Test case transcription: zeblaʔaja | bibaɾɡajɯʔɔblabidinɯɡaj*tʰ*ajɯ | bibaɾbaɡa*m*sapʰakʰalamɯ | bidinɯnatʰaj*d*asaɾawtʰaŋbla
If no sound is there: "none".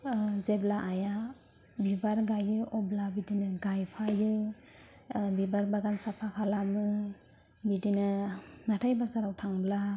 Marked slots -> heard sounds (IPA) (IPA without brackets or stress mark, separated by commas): pʰ, n, b